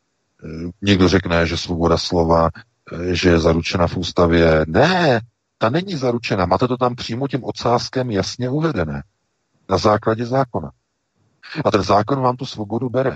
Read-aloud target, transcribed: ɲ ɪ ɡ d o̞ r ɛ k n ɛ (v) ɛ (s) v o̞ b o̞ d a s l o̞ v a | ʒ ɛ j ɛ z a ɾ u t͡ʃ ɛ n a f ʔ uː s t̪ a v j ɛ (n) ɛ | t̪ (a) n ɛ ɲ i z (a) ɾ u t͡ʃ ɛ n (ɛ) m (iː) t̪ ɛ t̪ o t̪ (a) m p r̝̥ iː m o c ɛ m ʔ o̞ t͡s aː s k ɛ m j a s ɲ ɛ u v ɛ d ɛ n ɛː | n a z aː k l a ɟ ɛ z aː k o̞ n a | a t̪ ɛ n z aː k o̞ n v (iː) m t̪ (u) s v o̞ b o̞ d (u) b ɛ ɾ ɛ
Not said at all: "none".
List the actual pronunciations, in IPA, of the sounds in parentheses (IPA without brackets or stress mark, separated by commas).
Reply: ʒ, s, n, a, a, a, aː, a, aː, u, u